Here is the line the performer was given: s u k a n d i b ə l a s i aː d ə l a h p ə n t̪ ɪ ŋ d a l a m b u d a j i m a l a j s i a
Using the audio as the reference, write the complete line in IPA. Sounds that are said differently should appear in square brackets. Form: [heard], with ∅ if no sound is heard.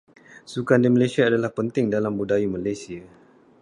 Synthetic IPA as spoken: s u k a n d i [m] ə l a s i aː d [a] l a h p ə n t̪ ɪ ŋ d a l a m b u d a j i m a l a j s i a